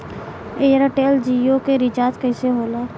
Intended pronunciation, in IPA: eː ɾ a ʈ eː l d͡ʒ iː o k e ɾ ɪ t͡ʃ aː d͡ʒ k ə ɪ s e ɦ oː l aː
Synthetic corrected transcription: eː ɾ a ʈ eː l d͡ʒ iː o k e ɾ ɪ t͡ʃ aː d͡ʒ k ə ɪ s e ɦ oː l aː